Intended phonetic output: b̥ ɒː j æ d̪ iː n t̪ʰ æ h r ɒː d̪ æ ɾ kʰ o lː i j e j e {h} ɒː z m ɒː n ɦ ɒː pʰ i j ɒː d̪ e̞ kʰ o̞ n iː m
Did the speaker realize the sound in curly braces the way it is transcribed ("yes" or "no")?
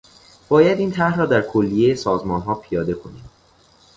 no